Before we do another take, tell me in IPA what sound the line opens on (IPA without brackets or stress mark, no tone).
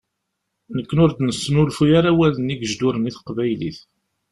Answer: n